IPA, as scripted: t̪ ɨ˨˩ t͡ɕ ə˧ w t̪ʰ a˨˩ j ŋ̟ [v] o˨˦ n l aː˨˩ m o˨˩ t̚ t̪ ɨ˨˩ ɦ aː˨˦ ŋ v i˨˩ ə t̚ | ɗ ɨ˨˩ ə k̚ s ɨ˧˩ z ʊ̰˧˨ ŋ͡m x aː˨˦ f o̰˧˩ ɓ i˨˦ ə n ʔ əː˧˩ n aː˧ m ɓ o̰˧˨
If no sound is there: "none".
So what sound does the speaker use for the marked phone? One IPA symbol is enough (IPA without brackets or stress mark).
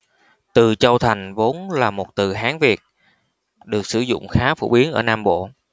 v